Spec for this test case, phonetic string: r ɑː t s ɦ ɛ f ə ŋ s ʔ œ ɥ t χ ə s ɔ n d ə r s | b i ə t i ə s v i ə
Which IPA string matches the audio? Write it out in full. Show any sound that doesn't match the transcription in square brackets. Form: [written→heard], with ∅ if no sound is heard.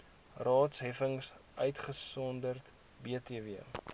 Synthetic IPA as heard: r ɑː t s ɦ ɛ f ə ŋ s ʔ œ ɥ t χ ə s ɔ n d ə r [s→t] | b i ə t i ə [s→∅] v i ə